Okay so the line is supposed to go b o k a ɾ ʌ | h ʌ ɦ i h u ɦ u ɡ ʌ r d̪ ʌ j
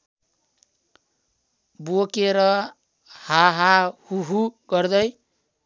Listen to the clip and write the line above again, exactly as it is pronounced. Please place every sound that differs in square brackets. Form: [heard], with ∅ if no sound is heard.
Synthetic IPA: b o k [e] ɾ ʌ | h [a] ɦ [a] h u ɦ u ɡ ʌ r d̪ ʌ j

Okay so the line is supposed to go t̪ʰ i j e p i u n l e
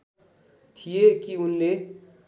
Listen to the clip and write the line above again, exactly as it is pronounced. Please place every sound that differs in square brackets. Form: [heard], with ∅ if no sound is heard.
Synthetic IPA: t̪ʰ i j e [k] i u n l e

